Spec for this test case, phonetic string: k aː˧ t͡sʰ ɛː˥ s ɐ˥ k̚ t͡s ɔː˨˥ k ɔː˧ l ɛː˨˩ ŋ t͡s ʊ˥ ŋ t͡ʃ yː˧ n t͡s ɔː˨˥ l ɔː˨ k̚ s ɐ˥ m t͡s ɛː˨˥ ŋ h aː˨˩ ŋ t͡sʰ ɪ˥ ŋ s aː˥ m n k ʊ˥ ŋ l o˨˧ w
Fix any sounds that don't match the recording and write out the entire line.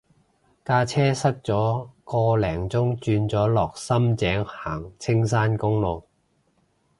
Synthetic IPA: k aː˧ t͡sʰ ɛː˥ s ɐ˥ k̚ t͡s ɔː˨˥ k ɔː˧ l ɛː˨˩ ŋ t͡s ʊ˥ ŋ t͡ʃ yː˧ n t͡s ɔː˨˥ l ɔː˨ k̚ s ɐ˥ m t͡s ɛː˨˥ ŋ h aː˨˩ ŋ t͡sʰ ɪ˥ ŋ s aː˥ n k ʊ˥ ŋ l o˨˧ w